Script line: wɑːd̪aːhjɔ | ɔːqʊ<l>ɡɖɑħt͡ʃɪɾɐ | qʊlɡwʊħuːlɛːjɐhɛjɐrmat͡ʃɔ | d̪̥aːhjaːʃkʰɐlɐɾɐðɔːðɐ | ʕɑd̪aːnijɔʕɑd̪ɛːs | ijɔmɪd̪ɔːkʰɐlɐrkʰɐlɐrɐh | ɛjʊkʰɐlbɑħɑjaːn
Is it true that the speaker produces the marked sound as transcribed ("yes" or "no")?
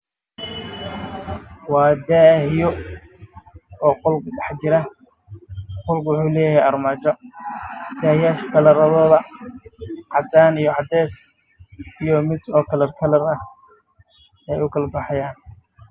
yes